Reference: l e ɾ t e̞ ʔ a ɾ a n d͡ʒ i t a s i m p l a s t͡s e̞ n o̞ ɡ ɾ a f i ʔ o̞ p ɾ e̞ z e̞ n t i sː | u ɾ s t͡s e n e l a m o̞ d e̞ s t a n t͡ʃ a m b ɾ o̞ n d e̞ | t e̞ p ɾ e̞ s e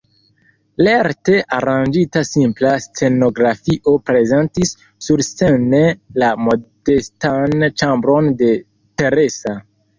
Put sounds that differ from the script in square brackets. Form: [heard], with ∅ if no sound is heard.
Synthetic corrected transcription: l e ɾ t e̞ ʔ a ɾ a n d͡ʒ i t a s i m p l a s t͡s e̞ n o̞ ɡ ɾ a f i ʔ o̞ p ɾ e̞ z e̞ n t i sː | u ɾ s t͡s e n e l a m o̞ d e̞ s t a n t͡ʃ a m b ɾ o̞ n d e̞ | t e̞ [∅] ɾ e̞ s [a]